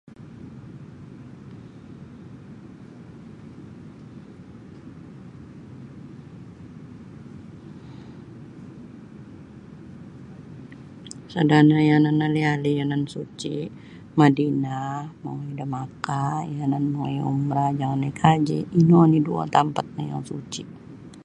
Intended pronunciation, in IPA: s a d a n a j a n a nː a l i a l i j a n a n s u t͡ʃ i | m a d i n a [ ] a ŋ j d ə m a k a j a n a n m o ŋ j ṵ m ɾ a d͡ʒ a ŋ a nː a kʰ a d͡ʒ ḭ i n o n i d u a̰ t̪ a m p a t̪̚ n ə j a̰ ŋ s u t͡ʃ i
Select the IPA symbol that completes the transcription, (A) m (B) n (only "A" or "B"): A